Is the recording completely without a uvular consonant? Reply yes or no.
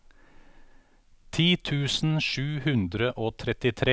yes